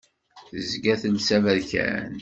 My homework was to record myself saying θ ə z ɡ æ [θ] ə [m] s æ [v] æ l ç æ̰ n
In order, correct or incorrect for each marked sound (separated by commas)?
correct, incorrect, correct